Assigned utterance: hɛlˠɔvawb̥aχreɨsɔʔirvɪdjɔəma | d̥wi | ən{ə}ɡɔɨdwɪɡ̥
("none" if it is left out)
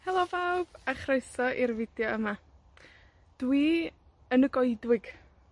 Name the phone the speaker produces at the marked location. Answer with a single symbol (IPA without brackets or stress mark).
ə